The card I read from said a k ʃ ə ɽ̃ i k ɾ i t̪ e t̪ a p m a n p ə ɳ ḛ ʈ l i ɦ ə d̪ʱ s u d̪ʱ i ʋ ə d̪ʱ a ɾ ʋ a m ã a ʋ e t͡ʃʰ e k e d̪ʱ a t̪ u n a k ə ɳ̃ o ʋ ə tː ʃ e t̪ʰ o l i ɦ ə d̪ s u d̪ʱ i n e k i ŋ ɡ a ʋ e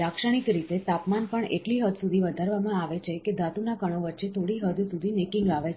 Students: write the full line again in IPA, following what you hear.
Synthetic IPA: a k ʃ ə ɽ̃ i k ɾ i t̪ e t̪ a p m a n p ə ɳ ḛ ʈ l i ɦ ə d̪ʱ s u d̪ʱ i ʋ ə d̪ʱ a ɾ ʋ a m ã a ʋ e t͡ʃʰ e k e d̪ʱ a t̪ u n a k ə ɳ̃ o ʋ ə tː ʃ e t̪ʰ o ɽ i ɦ ə d̪ s u d̪ʱ i n e k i ŋ ɡ a ʋ e

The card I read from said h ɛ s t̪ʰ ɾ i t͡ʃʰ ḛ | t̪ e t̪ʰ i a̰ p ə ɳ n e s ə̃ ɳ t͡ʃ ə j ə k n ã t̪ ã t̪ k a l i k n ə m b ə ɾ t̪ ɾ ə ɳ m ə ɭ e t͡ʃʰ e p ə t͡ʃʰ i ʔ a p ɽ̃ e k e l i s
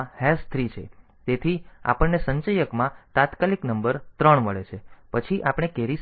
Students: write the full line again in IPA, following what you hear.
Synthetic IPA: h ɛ s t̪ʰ ɾ i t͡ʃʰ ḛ | t̪ e t̪ʰ i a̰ p ə ɳ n e s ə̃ ɲ t͡ʃ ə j ə k m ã t̪ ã t̪ k a l i k n ə m b ə ɾ t̪ ɾ ə ɳ m ə ɭ e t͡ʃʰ e p ə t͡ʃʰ i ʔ a p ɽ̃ e k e ɾ i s

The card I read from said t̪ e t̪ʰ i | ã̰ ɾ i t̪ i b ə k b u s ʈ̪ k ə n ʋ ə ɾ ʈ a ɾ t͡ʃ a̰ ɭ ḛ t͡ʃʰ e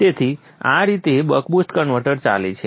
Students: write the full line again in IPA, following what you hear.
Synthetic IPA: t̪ e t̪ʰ i | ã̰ ɾ i t̪ e b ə k b u s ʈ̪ k ə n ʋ ə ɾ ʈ ə ɾ t͡ʃ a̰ l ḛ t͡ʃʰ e

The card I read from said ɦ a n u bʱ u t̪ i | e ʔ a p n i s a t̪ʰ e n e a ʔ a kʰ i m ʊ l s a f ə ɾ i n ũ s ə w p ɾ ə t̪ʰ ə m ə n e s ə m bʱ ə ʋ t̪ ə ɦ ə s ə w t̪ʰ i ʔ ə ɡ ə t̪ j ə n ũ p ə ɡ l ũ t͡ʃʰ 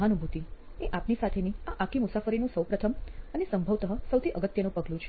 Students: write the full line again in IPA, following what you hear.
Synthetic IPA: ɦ a n u bʱ u t̪ i | e ʔ a p n i s a t̪ʰ e n i a ʔ a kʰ i m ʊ s a f ə ɾ i n ũ s ə w p ɾ ə t̪ʰ ə m ə n e s ə m bʱ ə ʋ t̪ ə ɦ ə s ə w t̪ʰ i ʔ ə ɡ ə t̪ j ə n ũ p ə ɡ l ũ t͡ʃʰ

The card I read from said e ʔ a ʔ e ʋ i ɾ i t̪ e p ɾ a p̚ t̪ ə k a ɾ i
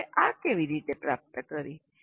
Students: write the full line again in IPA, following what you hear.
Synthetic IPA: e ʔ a k e ʋ i ɾ i t̪ e p ɾ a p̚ t̪ ə k ə ɾ i

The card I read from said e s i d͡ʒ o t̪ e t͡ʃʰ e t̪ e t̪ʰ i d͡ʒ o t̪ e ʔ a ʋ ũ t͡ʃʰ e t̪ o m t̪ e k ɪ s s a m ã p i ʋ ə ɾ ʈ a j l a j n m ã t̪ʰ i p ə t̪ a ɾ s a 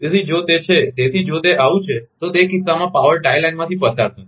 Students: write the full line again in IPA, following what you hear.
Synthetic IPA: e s i d͡ʒ o t̪ e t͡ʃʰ e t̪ e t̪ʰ i d͡ʒ o t̪ e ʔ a ʋ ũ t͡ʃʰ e t̪ o t̪ e k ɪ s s a m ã p a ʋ ə ɾ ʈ a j l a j n m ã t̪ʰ i p ə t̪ a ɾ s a

